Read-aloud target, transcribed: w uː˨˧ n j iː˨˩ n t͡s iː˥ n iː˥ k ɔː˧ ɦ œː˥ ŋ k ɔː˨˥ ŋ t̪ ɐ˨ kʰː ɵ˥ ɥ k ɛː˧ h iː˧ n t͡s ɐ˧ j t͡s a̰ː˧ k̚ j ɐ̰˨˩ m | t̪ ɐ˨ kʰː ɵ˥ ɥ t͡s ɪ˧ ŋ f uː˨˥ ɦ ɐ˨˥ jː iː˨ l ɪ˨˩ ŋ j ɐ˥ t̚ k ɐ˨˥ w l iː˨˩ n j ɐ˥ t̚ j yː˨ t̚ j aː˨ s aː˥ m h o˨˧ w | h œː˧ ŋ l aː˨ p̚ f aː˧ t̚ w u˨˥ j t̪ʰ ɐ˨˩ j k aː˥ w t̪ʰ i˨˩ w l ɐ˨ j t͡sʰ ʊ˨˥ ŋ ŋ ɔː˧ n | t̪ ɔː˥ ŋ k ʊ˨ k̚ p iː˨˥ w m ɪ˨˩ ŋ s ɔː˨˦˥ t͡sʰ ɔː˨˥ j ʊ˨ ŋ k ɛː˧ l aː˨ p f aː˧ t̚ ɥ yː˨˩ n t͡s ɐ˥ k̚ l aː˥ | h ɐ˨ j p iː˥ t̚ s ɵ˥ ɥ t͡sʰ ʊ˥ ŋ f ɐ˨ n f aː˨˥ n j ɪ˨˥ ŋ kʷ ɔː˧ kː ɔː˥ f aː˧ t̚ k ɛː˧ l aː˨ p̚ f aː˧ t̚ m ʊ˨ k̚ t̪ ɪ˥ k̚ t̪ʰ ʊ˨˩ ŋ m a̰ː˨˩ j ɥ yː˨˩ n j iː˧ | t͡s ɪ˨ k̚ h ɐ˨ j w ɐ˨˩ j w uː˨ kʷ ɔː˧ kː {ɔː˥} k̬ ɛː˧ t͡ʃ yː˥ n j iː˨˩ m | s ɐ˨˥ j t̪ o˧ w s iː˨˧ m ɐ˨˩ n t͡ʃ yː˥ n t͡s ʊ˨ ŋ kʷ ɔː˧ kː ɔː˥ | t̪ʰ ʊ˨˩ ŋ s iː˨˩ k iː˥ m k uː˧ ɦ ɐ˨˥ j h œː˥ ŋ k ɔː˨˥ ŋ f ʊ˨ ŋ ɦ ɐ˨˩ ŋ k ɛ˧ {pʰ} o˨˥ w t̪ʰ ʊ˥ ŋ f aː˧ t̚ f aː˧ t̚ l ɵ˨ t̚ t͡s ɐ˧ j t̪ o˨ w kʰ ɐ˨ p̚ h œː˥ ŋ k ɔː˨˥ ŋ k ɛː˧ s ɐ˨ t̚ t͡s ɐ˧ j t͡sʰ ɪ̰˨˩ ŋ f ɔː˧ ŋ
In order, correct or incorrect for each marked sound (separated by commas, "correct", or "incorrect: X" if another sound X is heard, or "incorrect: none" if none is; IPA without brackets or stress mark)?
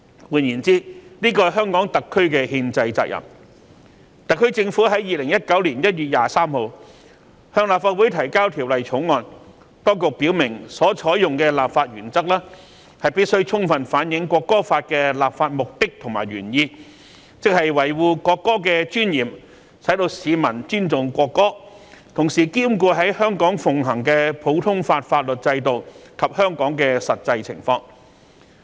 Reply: correct, correct